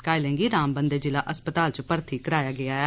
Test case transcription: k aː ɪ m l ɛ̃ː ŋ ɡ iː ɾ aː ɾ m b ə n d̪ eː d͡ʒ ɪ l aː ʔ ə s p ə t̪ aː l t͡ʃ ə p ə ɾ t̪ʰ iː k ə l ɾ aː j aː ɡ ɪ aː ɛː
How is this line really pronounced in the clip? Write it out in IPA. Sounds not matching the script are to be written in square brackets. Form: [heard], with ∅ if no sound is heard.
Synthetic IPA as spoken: k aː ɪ [∅] l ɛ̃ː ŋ ɡ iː ɾ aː [∅] m b ə n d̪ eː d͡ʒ ɪ l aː ʔ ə s p ə t̪ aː l t͡ʃ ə p ə ɾ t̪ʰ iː k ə [∅] ɾ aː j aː ɡ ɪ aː ɛː